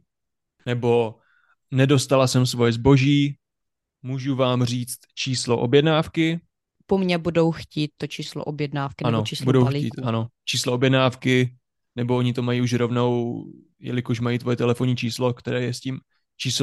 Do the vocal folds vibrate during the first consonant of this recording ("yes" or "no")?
yes